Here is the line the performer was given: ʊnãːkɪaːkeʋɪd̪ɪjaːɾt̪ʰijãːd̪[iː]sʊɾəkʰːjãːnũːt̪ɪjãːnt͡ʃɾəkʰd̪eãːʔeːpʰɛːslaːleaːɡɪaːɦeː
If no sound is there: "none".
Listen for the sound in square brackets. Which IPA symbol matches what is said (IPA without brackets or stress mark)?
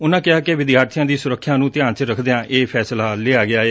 iː